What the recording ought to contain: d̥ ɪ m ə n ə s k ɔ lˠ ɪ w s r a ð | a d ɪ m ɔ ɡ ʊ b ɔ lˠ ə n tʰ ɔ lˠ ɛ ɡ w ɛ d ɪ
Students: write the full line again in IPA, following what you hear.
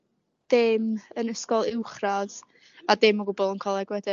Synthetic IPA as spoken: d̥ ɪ m ə n ə s k ɔ lˠ ɪ w χ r a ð | a d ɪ m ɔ ɡ ʊ b ɔ lˠ ə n kʰ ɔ lˠ ɛ ɡ w ɛ d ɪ